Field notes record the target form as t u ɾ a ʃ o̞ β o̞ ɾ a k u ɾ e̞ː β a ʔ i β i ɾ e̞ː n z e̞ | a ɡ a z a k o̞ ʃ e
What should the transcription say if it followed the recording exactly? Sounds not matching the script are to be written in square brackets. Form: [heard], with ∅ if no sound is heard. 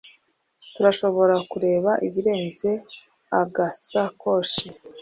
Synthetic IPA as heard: t u ɾ a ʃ o̞ β o̞ ɾ a k u ɾ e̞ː β a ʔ i β i ɾ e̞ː n z e̞ | a ɡ a [s] a k o̞ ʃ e